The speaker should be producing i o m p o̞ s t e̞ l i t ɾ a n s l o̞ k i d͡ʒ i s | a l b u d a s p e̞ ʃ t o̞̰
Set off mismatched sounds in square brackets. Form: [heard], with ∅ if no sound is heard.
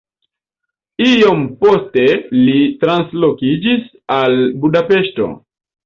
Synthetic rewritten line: i o m p o̞ s t e̞ l i t ɾ a n s l o̞ k i d͡ʒ i s | a l b u d a [∅] p e̞ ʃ t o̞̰